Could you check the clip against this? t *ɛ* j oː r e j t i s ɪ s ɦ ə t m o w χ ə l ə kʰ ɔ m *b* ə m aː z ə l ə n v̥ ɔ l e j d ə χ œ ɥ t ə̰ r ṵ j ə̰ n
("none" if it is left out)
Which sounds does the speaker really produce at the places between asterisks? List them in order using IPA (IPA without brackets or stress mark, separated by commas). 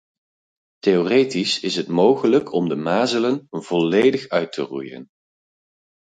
e, d